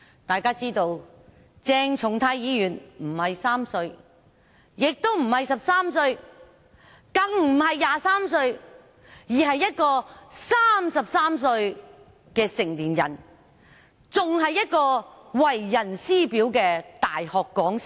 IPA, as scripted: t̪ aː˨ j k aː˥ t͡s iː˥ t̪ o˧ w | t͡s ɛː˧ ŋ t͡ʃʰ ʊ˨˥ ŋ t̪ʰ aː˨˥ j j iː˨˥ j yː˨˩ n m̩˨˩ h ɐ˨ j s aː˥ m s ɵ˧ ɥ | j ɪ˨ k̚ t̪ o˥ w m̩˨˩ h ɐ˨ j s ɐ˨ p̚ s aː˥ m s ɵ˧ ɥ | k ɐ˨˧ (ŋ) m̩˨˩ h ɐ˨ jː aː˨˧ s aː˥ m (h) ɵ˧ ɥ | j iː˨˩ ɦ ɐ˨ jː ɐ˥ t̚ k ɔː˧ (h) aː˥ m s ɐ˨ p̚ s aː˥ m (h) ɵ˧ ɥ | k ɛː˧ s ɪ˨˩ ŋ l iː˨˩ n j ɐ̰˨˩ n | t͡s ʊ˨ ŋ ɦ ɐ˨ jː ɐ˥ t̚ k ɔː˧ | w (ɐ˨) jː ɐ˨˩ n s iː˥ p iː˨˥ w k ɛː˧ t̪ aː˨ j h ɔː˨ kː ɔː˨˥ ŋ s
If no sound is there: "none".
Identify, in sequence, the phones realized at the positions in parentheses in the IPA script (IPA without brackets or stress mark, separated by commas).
ŋ, s, s, s, ɐ˨